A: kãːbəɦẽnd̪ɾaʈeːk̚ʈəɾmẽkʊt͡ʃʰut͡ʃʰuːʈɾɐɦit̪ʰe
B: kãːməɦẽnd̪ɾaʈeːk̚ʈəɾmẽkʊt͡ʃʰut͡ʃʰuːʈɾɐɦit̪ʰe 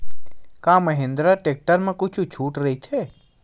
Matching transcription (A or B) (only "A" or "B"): B